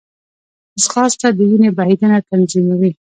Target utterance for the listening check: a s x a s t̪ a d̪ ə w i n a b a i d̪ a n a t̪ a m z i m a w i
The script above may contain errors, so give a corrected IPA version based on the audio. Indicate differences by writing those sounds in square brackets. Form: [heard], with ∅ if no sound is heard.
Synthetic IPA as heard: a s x [ɑ] s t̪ a d̪ ə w i n [e] b a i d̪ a n a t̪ a [n] z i m a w i